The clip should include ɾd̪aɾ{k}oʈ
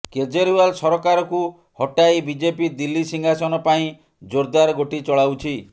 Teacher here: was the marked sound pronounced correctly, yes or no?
no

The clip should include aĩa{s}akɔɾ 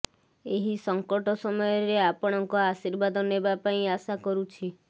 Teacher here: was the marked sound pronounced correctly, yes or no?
yes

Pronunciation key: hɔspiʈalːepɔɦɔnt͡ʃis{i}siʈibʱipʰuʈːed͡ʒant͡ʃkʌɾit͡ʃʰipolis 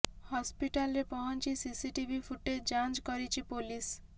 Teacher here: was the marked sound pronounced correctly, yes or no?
yes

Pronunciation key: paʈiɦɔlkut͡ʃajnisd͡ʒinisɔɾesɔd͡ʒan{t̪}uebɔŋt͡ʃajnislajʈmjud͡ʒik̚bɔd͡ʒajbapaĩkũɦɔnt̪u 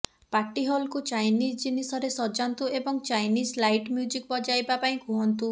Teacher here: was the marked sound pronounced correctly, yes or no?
yes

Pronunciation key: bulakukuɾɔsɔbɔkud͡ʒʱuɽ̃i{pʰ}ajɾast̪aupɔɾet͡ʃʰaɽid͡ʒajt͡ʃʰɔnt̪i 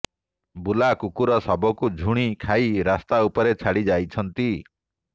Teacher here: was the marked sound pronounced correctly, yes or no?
no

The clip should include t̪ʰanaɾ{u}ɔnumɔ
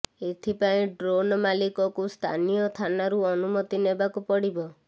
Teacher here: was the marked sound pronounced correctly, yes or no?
yes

